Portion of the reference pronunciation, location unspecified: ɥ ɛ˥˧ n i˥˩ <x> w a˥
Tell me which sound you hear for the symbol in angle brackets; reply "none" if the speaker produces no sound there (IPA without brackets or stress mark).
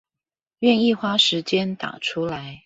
x